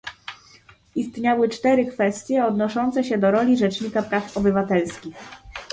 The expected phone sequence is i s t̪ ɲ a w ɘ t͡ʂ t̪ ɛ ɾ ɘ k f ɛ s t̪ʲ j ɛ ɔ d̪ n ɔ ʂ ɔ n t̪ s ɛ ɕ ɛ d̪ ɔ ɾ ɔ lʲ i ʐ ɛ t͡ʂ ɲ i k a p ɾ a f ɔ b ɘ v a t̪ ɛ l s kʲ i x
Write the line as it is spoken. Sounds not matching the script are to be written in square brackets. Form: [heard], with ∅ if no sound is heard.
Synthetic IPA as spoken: i s t̪ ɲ a w ɘ t͡ʂ t̪ ɛ ɾ ɘ k f ɛ s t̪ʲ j ɛ ɔ d̪ n ɔ ʂ ɔ n t̪ s ɛ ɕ ɛ d̪ ɔ ɾ ɔ lʲ i ʐ ɛ t͡ʂ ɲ i k a p ɾ a f ɔ b ɘ v a t̪ ɛ l s kʲ i x